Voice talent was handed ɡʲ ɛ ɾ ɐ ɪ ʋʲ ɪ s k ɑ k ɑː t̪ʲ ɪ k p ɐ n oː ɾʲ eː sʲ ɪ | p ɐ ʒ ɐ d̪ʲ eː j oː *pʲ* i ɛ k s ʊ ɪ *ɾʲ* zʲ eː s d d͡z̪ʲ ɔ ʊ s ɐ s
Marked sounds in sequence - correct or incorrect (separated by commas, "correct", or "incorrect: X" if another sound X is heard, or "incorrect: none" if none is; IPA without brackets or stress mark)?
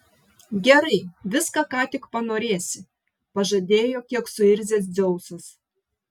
incorrect: kʲ, correct